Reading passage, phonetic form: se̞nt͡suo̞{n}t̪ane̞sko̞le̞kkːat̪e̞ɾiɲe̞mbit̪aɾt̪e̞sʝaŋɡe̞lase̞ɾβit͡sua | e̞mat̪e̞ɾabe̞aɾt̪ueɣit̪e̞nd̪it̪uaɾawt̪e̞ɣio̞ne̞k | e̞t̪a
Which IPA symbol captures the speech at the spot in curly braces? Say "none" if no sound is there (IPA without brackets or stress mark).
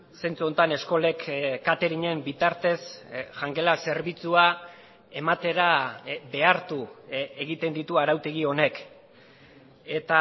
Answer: n